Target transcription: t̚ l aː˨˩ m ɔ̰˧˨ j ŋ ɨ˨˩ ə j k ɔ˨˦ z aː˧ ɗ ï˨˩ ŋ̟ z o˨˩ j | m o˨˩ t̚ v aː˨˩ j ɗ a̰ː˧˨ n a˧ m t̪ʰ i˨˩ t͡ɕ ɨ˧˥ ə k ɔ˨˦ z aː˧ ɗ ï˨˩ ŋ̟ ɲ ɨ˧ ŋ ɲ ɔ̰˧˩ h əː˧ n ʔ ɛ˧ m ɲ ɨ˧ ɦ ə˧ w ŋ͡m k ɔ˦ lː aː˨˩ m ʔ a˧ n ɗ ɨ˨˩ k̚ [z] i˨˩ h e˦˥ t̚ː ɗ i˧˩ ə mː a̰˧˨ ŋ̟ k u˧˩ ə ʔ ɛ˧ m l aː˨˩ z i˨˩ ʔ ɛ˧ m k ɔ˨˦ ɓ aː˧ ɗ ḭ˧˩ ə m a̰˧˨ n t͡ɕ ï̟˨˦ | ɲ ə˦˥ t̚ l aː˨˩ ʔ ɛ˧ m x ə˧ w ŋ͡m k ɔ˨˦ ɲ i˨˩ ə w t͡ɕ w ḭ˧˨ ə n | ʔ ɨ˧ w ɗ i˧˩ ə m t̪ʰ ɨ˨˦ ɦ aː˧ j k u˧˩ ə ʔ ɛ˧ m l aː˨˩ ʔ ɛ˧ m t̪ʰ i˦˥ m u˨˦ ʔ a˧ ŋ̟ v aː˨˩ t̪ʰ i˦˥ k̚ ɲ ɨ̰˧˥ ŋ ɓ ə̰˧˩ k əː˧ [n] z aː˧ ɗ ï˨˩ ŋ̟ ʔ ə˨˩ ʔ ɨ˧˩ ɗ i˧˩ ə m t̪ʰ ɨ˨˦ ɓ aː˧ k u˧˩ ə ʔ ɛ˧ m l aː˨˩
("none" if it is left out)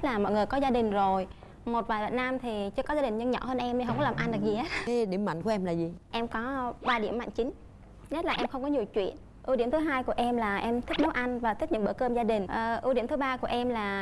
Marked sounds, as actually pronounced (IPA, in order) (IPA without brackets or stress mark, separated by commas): z, m